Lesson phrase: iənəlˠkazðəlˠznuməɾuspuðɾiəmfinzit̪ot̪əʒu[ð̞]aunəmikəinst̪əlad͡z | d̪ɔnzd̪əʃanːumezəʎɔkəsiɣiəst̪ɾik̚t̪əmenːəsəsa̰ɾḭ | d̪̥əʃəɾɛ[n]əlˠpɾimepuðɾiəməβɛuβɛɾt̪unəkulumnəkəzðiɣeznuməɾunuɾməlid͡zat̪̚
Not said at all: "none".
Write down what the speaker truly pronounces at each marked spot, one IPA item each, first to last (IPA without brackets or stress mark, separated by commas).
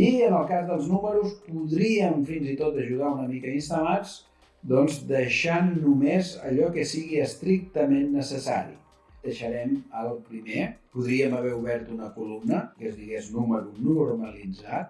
ð̞, m